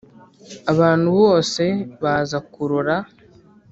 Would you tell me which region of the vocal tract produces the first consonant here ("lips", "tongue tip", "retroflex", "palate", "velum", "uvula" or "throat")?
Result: lips